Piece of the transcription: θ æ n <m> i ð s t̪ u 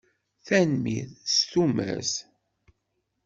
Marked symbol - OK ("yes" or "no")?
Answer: yes